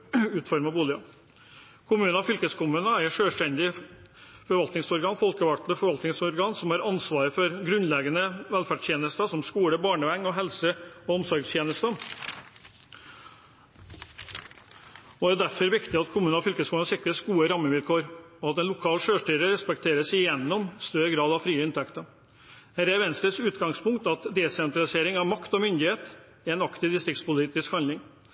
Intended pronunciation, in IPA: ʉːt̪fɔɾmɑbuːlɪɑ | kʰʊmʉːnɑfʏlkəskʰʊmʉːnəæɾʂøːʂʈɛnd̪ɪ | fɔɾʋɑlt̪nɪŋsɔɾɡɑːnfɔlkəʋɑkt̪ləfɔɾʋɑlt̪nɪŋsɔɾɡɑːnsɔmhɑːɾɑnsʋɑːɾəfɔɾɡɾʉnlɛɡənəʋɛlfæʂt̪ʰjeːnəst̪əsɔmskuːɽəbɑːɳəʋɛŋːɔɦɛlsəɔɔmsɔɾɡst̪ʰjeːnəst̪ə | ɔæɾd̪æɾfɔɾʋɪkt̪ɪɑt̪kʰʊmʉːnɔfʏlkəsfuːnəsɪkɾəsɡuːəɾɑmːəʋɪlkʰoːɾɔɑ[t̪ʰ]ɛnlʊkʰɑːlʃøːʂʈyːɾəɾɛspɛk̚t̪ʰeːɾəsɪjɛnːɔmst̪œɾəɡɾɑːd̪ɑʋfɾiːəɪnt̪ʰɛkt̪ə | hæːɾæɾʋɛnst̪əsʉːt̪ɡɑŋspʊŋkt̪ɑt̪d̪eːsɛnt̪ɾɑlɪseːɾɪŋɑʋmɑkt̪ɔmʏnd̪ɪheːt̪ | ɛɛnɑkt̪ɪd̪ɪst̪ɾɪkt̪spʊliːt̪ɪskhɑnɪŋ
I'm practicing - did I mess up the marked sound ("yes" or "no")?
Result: yes